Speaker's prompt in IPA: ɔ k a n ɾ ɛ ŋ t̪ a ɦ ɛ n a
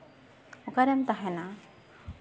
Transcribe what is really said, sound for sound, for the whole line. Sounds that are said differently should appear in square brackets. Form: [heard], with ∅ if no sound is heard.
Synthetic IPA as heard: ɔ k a [∅] ɾ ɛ [m] t̪ a ɦ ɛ n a